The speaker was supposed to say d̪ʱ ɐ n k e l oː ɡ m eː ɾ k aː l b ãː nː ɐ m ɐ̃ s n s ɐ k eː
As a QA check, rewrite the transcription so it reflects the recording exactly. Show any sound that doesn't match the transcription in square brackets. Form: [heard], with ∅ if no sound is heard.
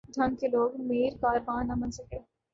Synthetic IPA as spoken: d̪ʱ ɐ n k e l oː ɡ m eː ɾ k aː [ɾ] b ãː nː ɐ m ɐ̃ [∅] n s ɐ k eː